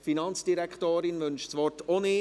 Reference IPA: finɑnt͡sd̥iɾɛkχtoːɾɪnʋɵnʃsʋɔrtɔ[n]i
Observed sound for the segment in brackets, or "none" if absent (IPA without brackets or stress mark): n